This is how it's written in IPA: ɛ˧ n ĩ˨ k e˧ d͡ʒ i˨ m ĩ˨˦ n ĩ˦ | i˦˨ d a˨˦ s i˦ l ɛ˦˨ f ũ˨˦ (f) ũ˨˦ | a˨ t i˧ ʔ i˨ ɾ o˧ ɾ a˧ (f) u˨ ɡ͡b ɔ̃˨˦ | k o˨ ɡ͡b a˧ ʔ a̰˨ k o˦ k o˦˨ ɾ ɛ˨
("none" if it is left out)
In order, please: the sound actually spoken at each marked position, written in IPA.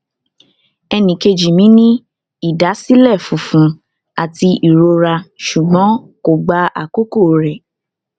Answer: f, ʃ

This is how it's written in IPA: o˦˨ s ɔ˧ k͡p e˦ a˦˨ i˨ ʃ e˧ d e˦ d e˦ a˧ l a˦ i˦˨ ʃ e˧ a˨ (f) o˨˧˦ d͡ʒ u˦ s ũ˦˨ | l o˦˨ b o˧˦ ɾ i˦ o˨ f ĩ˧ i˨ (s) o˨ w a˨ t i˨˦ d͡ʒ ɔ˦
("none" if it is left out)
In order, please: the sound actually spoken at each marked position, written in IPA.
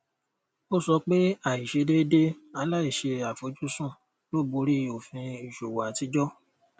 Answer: f, ʃ

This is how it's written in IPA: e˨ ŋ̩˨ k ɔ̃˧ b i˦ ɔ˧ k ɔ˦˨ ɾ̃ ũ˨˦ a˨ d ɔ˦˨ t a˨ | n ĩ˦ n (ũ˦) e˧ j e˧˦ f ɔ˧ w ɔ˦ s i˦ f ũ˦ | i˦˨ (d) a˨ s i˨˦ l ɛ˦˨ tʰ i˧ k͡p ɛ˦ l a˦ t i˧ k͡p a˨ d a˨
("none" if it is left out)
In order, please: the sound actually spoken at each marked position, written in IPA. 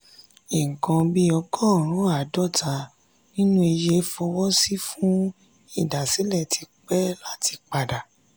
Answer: ũ˦, d

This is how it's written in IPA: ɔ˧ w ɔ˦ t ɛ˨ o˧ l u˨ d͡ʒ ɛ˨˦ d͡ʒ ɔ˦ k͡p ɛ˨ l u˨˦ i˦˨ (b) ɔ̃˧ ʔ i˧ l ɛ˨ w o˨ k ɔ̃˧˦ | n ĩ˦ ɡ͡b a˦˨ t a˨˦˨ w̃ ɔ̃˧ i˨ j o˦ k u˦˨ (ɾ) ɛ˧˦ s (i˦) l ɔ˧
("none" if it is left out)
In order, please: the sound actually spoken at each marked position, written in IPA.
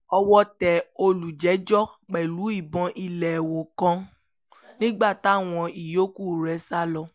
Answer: b, ɾ, a˦

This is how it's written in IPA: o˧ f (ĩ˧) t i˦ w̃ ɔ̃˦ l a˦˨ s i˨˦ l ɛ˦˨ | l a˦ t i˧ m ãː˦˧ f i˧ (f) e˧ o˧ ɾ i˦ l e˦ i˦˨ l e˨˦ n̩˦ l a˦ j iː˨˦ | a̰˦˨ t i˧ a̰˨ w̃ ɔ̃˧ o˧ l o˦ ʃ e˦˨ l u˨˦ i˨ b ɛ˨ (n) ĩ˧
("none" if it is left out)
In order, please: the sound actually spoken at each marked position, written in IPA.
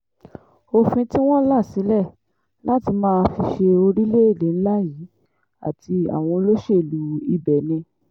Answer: ĩ˧, ʃ, n

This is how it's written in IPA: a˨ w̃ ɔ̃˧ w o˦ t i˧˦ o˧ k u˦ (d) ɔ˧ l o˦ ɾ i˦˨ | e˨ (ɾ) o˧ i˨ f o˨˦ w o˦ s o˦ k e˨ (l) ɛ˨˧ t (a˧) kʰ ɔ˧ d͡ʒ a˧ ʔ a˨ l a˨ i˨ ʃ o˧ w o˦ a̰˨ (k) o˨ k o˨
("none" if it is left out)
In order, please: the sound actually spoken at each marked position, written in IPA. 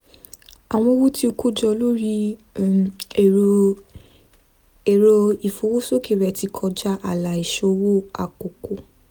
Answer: d͡ʒ, ɾ, ɾ, i˧, k

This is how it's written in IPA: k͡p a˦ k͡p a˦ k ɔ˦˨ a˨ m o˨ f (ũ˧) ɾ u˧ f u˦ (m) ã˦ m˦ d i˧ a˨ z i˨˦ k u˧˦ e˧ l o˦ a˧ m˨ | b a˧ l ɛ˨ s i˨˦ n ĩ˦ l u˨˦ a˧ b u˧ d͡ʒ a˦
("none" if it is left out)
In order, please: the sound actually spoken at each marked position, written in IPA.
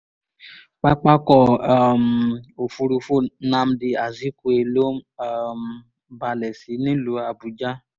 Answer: u˧, n

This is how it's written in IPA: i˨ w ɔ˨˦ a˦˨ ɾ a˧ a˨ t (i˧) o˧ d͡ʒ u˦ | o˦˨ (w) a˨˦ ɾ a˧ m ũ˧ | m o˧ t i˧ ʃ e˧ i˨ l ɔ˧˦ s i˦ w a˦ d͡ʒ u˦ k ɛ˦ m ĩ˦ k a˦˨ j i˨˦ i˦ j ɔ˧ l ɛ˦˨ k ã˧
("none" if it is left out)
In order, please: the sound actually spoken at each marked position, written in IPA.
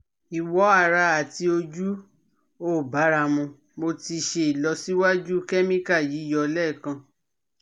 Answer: i˧, b

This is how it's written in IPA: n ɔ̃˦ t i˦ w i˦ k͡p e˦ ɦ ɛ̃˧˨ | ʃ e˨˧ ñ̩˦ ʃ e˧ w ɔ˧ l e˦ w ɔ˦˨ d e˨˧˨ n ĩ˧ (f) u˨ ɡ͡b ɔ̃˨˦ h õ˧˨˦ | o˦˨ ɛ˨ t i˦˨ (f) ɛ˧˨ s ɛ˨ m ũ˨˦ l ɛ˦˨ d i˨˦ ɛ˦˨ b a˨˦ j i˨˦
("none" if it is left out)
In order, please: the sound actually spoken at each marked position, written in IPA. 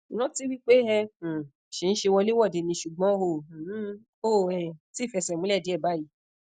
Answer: ʃ, f

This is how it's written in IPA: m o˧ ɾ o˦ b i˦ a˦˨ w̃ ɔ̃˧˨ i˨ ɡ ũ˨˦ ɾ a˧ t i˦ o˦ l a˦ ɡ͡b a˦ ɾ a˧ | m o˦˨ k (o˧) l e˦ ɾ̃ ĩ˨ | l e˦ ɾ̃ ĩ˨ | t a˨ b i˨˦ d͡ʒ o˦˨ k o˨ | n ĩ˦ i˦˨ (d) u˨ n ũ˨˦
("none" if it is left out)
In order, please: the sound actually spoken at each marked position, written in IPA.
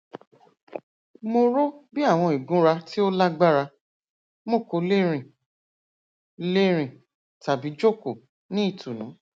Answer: o˧, t

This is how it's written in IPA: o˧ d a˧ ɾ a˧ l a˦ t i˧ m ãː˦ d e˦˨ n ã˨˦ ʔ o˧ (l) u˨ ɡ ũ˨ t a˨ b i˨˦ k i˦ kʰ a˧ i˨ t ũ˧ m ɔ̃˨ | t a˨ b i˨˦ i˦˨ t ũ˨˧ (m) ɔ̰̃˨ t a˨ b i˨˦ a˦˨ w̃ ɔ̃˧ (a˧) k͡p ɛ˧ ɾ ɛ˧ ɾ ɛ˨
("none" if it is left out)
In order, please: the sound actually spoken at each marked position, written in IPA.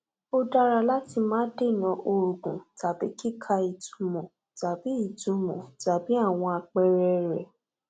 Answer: ɾ, m, a˧

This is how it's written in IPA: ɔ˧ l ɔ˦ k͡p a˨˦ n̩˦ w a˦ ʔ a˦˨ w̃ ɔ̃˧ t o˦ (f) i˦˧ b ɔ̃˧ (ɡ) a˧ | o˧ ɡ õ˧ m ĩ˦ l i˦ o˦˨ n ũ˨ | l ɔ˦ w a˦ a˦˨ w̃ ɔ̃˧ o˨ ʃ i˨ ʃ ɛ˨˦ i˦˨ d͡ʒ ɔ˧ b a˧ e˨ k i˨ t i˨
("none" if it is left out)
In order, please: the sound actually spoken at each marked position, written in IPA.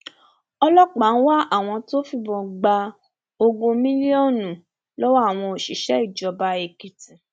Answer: f, ɡ͡b

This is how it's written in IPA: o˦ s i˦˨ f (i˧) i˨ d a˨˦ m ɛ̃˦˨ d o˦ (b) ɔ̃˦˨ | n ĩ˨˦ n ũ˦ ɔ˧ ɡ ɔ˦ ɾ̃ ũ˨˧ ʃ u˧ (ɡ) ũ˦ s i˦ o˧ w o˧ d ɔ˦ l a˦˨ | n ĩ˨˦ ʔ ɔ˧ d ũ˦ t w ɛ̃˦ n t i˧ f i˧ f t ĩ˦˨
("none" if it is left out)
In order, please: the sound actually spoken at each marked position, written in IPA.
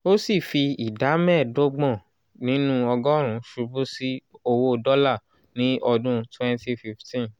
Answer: i˧, ɡ͡b, b

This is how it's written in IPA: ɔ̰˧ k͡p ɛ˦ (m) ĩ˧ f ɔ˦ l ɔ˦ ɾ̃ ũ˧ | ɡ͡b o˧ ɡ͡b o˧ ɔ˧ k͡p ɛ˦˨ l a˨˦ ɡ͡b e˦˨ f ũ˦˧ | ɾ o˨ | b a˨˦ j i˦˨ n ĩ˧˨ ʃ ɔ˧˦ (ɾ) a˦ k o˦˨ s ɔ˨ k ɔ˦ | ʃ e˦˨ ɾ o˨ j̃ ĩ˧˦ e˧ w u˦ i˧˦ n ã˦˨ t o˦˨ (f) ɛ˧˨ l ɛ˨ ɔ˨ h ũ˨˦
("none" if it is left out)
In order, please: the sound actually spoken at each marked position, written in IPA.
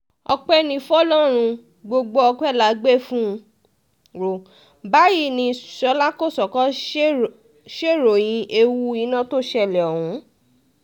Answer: n, l, ʃ

